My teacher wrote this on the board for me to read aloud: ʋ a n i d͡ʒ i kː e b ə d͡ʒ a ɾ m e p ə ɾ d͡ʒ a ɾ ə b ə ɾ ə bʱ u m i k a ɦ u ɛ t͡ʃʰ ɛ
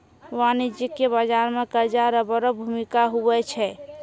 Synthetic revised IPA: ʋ a n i d͡ʒ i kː e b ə d͡ʒ a ɾ m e k ə ɾ d͡ʒ a ɾ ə b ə ɾ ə bʱ u m i k a ɦ u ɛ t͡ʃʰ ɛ